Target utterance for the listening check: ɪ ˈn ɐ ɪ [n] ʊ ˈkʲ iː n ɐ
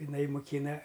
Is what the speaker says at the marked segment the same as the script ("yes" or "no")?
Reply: no